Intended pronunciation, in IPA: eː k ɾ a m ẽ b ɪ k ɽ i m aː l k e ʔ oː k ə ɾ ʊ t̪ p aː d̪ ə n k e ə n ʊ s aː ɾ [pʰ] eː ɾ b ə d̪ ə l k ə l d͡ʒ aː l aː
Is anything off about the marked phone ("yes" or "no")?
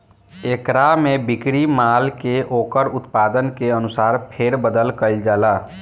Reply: no